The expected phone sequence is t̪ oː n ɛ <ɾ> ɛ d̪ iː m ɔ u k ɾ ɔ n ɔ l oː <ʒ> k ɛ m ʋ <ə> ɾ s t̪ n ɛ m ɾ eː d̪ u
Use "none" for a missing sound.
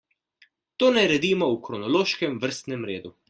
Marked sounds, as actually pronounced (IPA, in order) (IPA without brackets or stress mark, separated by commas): ɾ, ʃ, ə